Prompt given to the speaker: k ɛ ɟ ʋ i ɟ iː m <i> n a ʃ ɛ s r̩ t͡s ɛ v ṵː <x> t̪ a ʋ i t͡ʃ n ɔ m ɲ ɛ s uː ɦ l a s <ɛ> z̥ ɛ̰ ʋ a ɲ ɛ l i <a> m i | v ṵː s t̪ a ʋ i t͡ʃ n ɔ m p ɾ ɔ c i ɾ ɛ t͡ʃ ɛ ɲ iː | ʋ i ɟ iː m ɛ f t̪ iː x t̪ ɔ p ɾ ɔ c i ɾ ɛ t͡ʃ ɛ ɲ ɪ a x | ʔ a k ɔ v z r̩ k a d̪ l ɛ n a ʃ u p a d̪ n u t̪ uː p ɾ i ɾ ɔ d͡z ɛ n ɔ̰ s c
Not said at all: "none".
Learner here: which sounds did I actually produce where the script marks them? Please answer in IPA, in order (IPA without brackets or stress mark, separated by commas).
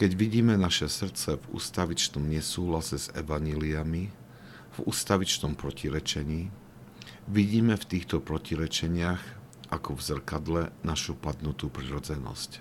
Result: ɛ, s, ɛ, a